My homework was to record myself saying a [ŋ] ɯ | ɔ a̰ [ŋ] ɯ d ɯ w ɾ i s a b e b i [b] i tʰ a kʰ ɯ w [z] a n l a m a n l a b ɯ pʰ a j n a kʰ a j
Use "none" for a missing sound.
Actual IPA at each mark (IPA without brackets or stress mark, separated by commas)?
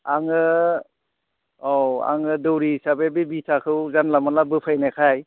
ŋ, ŋ, b, z